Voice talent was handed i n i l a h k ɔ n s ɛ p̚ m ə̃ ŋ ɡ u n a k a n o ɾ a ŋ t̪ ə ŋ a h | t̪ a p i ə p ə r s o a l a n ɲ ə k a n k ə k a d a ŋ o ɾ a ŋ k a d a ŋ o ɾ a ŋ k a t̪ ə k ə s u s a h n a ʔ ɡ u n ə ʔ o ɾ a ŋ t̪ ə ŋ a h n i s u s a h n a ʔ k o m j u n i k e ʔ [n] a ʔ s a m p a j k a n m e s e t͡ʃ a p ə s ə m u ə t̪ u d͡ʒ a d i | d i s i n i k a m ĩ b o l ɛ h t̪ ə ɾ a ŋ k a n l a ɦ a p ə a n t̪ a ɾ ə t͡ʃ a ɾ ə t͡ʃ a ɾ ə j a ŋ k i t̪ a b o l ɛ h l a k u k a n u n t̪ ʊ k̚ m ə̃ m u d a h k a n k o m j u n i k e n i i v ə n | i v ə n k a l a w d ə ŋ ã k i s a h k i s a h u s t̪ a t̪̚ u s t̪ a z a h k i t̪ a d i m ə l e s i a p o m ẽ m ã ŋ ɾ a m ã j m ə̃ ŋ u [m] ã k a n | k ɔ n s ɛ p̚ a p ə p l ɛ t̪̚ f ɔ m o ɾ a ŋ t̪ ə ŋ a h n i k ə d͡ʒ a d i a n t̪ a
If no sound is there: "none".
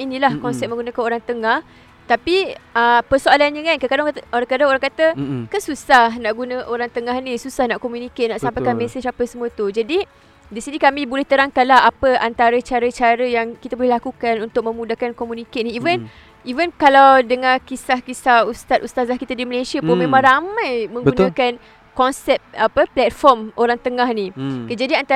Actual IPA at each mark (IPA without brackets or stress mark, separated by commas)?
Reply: n, n